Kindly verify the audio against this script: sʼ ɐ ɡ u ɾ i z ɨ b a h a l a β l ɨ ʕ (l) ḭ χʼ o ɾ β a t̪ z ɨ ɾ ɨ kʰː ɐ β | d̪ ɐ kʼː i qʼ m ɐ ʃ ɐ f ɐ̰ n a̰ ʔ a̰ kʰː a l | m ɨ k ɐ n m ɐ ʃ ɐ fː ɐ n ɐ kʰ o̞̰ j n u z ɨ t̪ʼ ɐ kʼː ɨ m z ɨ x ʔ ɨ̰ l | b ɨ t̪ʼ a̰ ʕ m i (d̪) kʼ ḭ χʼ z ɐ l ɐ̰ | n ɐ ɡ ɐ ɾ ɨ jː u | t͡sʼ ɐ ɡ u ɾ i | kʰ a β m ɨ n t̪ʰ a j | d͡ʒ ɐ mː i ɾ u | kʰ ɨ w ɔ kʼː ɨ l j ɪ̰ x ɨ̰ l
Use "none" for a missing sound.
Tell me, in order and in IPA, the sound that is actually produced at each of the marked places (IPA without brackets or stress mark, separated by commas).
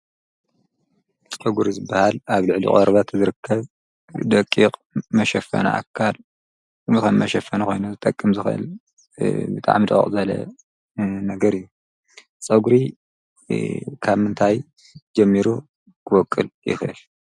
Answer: l, d̪